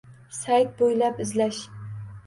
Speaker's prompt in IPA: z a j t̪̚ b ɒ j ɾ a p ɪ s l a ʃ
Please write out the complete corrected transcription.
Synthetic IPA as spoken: s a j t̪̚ b o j l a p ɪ z l a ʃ